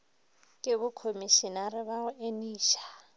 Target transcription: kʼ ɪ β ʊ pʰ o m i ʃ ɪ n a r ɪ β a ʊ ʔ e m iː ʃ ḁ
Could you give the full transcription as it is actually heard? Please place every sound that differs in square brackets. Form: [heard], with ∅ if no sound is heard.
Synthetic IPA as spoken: kʼ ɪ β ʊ [kʰ] o m i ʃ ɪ n a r ɪ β a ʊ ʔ e [n] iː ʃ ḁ

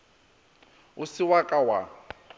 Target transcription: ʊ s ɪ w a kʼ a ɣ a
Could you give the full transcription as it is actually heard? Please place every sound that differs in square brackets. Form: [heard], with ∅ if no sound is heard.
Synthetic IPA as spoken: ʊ s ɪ w a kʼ a [w] a

